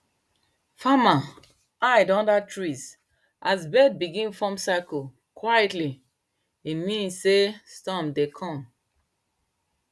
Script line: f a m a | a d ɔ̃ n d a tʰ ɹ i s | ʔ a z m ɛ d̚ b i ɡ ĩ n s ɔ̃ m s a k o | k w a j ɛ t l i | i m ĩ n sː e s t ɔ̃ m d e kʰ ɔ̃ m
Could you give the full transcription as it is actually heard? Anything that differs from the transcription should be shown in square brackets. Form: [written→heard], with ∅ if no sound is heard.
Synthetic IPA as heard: f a m a | a d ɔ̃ n d a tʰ ɹ i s | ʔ a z [m→b] ɛ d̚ b i ɡ ĩ n [s→f] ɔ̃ m s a k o | k w a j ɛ t l i | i m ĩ n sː e s t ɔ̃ m d e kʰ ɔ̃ m